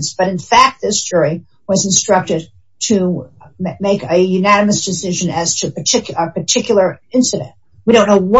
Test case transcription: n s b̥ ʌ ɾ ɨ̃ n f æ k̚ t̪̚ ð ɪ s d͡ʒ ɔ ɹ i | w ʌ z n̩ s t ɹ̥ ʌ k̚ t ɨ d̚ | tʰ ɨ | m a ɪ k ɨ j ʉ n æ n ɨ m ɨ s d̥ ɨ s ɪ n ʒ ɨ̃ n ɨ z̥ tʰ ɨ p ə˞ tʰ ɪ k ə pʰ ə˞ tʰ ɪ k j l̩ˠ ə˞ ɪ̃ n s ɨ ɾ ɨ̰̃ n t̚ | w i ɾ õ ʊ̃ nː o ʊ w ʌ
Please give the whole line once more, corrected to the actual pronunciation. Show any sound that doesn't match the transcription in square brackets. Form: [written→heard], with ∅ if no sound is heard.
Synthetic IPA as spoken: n s b̥ ʌ ɾ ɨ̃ n f æ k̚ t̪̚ ð ɪ s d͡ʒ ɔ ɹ i | w ʌ z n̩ s t ɹ̥ ʌ k̚ t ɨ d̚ | tʰ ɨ | m [a→e] ɪ k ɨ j ʉ n æ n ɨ m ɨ s d̥ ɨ s ɪ [n→∅] ʒ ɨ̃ n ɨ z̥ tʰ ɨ p ə˞ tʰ ɪ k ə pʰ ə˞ tʰ ɪ k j l̩ˠ ə˞ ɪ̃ n s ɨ ɾ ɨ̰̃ n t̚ | w i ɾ õ ʊ̃ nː o ʊ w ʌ

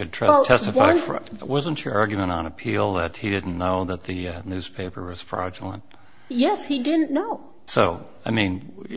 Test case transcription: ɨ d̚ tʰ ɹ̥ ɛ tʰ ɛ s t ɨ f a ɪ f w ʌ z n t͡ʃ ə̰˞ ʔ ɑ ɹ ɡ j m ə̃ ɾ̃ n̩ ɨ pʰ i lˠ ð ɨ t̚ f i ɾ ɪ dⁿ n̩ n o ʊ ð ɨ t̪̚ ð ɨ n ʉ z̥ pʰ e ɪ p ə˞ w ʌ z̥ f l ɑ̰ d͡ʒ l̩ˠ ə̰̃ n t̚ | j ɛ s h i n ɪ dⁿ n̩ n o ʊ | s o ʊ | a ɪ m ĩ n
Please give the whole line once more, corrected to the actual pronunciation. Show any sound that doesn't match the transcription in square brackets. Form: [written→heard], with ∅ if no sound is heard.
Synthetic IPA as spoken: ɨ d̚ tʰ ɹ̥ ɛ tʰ ɛ s t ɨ f a ɪ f w ʌ z n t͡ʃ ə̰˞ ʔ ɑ ɹ ɡ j m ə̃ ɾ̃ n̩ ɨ pʰ i lˠ ð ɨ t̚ [f→h] i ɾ ɪ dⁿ n̩ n o ʊ ð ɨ t̪̚ ð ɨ n ʉ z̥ pʰ e ɪ p ə˞ w ʌ z̥ f [l→ɹ] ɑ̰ d͡ʒ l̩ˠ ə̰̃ n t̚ | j ɛ s h i [n→d] ɪ dⁿ n̩ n o ʊ | s o ʊ | a ɪ m ĩ n

